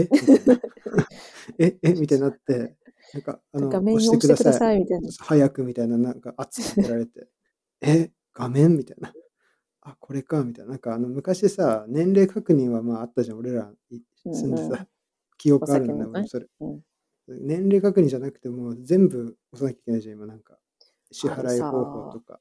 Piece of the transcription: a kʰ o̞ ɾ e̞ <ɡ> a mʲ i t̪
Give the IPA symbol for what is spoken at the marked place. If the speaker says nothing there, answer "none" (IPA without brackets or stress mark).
k